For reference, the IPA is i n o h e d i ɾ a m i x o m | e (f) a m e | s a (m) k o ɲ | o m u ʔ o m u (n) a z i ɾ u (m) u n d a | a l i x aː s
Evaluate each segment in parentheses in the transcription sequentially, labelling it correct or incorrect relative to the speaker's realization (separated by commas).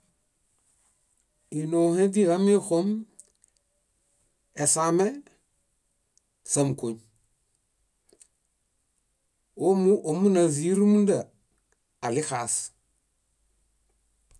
incorrect, correct, correct, correct